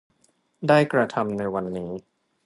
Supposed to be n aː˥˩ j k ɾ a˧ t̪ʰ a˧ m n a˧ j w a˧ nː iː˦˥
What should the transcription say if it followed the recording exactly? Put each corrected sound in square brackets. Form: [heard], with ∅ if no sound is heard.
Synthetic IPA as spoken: [d] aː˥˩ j k ɾ a˧ t̪ʰ a˧ m n a˧ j w a˧ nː iː˦˥